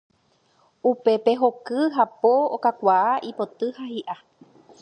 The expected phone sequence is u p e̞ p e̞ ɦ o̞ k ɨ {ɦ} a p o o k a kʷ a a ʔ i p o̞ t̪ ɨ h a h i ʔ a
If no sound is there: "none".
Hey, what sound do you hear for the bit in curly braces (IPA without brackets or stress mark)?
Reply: ɦ